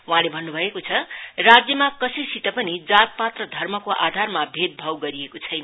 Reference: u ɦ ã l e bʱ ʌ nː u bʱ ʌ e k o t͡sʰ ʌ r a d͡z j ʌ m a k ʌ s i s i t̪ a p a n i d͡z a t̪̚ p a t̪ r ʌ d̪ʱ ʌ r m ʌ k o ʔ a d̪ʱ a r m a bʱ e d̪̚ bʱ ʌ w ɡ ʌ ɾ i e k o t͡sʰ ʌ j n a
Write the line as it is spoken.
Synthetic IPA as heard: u ɦ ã l e bʱ ʌ nː u bʱ ʌ e k o t͡sʰ ʌ r a d͡z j ʌ m a k ʌ s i s i t̪ ʌ p ʌ n i d͡z a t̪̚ p a t̪ r ʌ d̪ʱ ʌ r m ʌ k o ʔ a d̪ʱ a r m a bʱ e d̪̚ bʱ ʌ w ɡ ʌ ɾ i e k o t͡sʰ ʌ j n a